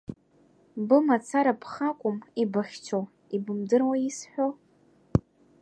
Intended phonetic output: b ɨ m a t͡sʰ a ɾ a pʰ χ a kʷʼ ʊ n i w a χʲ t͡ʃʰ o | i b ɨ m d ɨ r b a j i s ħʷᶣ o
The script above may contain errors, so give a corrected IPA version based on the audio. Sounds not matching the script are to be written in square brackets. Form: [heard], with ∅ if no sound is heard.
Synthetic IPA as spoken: b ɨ m a t͡sʰ a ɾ a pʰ χ a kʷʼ ʊ [m] i [b] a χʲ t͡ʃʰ o | i b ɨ m d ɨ r [w] a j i s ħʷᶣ o